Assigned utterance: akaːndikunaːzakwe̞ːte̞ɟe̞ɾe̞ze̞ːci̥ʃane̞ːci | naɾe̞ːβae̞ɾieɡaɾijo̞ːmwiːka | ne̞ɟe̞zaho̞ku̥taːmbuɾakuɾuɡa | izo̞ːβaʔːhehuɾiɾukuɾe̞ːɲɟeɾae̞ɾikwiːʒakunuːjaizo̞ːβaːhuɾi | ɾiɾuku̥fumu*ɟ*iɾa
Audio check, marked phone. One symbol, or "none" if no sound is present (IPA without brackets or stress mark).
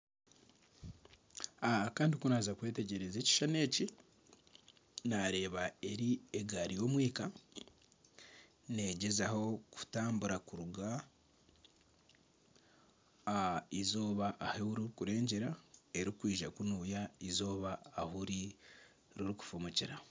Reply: c